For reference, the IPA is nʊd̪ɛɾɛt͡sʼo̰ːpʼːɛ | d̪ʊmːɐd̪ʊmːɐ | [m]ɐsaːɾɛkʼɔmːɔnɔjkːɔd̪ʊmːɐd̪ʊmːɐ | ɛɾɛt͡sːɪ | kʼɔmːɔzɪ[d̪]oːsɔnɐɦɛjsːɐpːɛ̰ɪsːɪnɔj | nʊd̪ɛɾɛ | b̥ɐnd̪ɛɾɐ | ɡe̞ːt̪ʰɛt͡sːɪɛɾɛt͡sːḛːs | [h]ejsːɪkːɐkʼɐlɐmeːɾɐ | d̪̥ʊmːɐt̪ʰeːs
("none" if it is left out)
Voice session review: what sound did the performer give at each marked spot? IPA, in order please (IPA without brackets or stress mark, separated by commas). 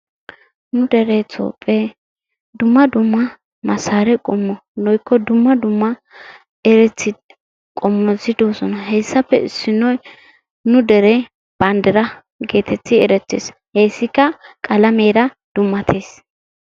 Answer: m, d̪, h